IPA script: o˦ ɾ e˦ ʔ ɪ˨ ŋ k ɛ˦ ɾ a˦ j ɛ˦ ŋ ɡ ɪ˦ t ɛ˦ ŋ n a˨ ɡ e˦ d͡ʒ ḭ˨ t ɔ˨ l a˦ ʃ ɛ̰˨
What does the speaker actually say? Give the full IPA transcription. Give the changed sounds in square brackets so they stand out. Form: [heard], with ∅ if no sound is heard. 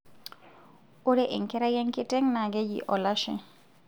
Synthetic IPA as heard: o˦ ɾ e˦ ʔ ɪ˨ ŋ k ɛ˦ ɾ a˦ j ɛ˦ ŋ [k] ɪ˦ t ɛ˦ ŋ n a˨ ɡ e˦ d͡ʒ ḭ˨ [ʔ] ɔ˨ l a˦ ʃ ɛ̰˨